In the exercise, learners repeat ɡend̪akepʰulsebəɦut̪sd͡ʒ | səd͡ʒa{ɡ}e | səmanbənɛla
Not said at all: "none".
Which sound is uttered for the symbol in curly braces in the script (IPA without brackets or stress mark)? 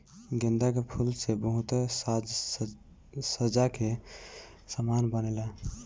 k